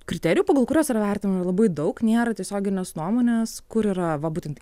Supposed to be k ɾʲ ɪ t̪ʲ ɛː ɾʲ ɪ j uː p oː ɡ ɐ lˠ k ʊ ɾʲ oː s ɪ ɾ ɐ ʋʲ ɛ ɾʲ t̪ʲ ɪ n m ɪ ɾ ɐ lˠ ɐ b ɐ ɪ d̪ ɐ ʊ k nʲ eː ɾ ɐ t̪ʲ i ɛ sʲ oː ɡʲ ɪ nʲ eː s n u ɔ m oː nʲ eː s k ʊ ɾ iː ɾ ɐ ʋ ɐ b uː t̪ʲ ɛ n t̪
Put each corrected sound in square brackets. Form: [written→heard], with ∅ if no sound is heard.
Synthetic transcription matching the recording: k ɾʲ ɪ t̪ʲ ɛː ɾʲ ɪ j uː p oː ɡ ɐ lˠ k ʊ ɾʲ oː s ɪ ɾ ɐ ʋʲ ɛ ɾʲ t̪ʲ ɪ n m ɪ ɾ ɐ lˠ ɐ b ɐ ɪ d̪ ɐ ʊ k nʲ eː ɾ ɐ t̪ʲ i ɛ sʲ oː ɡʲ ɪ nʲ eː s n u ɔ m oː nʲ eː s k ʊ ɾ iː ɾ ɐ ʋ ɐ b uː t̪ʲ ɛ n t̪